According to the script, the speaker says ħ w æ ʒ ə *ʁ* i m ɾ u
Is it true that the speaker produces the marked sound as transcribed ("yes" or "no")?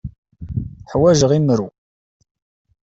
yes